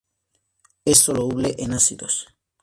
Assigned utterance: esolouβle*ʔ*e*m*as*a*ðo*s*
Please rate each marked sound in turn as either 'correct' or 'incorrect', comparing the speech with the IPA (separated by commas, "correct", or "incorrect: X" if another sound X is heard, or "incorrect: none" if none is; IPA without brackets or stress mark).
correct, incorrect: n, incorrect: i, correct